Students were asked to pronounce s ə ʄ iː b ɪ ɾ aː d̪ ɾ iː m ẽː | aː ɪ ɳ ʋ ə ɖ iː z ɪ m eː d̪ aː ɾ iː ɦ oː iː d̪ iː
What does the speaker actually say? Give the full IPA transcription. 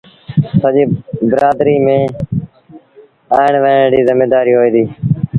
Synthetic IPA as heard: s ə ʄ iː b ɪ ɾ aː d̪ ɾ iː m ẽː | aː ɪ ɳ ʋ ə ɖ iː z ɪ m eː d̪ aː ɾ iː ɦ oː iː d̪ iː